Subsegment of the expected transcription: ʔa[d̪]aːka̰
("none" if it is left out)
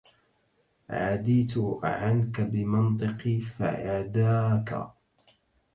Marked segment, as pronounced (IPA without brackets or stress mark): d̪